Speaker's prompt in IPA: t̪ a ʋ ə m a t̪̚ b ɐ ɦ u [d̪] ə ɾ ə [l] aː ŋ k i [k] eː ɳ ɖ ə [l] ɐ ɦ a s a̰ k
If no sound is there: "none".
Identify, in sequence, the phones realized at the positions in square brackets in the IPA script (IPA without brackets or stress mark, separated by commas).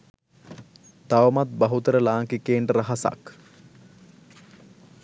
t̪, l, k, ɾ